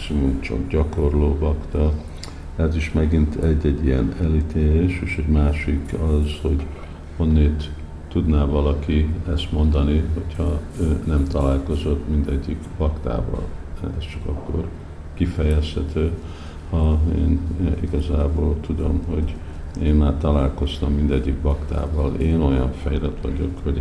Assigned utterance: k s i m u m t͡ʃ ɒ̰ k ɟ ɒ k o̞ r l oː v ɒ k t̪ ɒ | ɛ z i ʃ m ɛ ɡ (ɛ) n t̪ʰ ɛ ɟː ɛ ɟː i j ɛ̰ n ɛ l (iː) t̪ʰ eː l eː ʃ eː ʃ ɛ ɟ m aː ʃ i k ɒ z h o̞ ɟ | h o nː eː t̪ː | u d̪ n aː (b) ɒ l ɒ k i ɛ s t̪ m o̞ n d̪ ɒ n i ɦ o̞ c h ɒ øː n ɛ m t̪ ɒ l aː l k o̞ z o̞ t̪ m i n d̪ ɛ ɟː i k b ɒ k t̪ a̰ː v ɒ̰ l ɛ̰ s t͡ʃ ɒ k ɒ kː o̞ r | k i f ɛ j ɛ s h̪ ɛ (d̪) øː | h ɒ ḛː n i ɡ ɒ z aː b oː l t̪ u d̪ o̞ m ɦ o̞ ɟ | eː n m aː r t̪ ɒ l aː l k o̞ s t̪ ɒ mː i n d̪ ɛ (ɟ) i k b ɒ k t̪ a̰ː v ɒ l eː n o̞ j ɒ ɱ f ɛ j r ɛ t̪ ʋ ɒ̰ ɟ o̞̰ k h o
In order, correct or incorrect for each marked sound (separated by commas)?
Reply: incorrect, incorrect, incorrect, incorrect, incorrect